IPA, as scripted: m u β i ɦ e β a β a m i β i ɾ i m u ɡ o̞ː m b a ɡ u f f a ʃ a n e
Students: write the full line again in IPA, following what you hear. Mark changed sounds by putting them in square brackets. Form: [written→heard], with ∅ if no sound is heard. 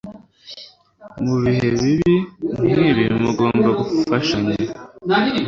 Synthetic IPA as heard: m u β i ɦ e β [a→i] β [a→i] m i β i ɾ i m u ɡ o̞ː m b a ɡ u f f a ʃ a [n→ɲ] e